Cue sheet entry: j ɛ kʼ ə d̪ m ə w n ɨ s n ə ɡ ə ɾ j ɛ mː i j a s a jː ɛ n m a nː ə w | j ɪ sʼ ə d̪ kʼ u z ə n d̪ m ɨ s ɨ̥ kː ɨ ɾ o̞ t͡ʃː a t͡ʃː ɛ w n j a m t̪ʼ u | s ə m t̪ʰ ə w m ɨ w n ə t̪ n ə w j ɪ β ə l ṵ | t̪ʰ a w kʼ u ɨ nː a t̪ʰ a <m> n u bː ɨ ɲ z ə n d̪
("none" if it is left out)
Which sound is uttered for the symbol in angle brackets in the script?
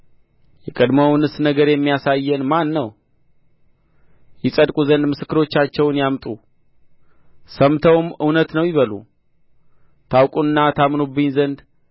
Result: m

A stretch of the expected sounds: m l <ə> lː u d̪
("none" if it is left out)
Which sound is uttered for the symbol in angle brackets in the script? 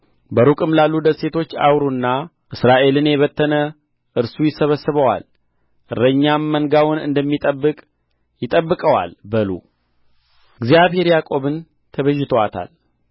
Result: a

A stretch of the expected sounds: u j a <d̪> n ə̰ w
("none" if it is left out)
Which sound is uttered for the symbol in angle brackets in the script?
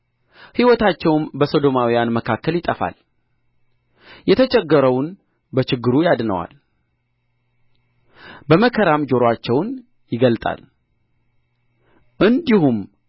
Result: d̪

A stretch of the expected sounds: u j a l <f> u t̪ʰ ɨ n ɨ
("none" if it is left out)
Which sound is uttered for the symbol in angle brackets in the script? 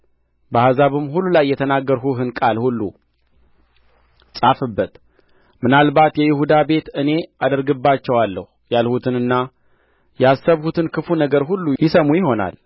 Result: h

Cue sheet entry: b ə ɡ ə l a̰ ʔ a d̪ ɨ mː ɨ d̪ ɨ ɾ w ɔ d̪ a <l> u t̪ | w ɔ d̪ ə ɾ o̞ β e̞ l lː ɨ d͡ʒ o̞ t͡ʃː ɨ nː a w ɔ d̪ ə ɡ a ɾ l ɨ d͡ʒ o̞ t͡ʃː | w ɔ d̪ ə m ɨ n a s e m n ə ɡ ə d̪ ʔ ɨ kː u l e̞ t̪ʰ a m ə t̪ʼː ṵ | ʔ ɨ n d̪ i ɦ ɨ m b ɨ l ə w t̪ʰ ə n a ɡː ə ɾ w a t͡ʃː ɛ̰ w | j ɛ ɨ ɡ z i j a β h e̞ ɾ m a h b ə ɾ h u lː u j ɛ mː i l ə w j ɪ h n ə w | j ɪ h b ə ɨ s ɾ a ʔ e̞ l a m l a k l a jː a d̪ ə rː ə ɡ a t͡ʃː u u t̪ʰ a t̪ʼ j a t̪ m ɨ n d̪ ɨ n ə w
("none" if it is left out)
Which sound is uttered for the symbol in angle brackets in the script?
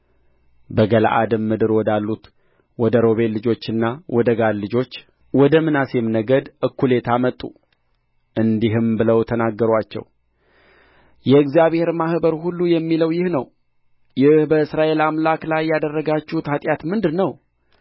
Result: lː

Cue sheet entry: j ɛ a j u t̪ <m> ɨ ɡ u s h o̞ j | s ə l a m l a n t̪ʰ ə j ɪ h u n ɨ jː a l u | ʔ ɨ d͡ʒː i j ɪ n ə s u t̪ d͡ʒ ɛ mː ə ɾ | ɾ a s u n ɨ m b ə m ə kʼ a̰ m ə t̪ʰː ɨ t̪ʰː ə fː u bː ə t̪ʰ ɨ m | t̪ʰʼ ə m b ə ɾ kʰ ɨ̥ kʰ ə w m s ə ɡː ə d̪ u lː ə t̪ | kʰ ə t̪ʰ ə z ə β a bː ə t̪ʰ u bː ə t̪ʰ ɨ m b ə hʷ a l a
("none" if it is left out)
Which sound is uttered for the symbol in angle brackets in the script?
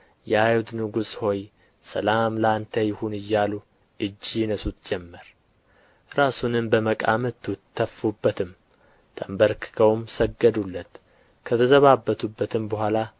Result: n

